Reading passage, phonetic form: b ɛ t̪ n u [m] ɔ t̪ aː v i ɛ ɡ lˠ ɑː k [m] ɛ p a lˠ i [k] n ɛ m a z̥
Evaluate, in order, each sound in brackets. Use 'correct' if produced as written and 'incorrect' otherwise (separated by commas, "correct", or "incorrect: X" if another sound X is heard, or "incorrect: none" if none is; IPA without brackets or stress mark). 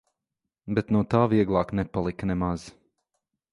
incorrect: none, incorrect: n, correct